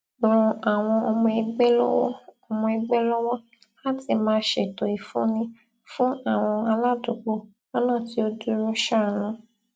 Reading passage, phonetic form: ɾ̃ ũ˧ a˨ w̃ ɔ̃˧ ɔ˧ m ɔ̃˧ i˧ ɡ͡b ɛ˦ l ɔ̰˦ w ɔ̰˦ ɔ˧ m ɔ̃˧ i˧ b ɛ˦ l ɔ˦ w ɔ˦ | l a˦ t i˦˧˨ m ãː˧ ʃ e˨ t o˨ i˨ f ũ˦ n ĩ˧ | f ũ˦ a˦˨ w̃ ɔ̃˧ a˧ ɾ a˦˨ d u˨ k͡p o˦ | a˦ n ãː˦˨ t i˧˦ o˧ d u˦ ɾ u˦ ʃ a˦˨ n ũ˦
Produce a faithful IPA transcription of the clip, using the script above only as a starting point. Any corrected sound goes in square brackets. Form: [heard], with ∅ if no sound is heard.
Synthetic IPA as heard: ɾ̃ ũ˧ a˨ w̃ ɔ̃˧ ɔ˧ m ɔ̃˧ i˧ ɡ͡b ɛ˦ l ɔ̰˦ w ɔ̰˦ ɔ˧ m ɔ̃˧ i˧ [ɡ͡b] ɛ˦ l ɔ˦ w ɔ˦ | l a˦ t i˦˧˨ m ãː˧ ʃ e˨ t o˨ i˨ f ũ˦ n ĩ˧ | f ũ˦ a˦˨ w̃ ɔ̃˧ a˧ [l] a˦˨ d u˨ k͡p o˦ | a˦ n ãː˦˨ t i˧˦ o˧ d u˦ ɾ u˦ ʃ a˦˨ n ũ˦